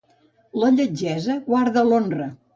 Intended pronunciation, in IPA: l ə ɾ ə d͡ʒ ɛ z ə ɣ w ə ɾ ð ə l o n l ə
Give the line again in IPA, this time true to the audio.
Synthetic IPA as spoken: l ə ʎ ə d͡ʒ ɛ z ə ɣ w a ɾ ð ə l o n r ə